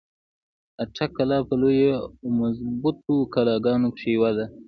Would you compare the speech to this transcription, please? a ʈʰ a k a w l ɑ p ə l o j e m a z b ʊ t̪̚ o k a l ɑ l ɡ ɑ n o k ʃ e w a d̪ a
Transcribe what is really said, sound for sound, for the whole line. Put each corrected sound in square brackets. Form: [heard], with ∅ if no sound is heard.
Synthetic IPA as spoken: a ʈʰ a k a [∅] l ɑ p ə l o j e m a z b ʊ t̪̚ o k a l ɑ [∅] ɡ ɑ n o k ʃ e w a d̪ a

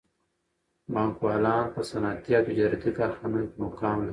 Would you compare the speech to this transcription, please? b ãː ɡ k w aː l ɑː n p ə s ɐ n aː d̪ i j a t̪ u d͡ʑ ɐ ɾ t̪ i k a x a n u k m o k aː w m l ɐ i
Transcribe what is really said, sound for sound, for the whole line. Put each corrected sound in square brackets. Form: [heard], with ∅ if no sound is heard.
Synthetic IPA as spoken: b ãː [ŋ] k w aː l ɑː n p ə s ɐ n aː [t̪] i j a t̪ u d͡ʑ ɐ ɾ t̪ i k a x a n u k m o k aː [∅] m l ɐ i

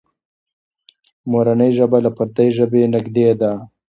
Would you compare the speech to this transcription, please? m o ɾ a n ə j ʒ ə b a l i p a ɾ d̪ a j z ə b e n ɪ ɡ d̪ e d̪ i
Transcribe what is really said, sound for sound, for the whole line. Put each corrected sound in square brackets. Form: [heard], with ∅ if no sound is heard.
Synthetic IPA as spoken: m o ɾ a n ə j ʒ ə b a l [a] p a ɾ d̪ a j [ʒ] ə b e n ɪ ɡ d̪ e d̪ [a]

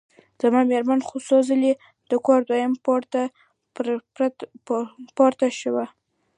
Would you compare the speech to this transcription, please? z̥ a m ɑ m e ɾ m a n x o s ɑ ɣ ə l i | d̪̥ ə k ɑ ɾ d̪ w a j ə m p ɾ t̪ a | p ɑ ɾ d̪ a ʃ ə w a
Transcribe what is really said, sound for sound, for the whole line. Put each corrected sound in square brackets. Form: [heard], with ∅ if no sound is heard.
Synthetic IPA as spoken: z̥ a m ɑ m e ɾ m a n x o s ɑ [z] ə l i | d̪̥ ə k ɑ ɾ d̪ w a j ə m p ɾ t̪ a | p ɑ ɾ [t̪] a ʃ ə w a

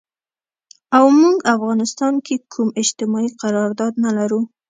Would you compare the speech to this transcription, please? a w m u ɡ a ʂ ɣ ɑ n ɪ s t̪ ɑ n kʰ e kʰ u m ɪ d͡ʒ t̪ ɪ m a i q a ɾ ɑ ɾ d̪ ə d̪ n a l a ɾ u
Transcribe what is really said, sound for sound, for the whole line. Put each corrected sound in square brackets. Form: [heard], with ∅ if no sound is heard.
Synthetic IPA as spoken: a w m u ɡ a [f] ɣ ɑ n ɪ s t̪ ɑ n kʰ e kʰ u m ɪ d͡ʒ t̪ ɪ m [ɑ] i q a ɾ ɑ ɾ d̪ [ɑ] d̪ n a l a ɾ u

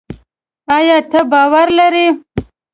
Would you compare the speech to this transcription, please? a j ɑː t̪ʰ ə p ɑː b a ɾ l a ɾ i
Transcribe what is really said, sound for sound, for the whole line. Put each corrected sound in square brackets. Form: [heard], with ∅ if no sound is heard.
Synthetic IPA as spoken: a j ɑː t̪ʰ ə [b] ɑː [w] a ɾ l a ɾ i

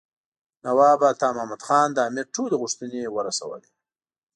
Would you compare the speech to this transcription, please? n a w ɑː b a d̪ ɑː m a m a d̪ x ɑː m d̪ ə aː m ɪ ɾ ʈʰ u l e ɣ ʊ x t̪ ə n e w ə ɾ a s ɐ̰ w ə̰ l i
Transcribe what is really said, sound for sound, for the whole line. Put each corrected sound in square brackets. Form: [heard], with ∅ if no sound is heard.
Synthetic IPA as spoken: n a w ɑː b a [t̪] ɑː m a m a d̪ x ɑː [n] d̪ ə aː m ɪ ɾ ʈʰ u l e ɣ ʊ [ʂ] t̪ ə n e w ə ɾ a s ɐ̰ w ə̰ l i

